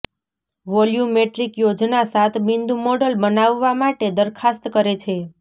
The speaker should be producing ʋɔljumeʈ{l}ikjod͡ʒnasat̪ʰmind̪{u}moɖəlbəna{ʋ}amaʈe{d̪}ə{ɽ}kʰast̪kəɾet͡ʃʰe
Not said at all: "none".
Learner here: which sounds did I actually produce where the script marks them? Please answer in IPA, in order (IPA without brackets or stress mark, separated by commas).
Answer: ɾ, u, ʋː, d̪, ɾ